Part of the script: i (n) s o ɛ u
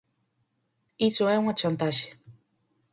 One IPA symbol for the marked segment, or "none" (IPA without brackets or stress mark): none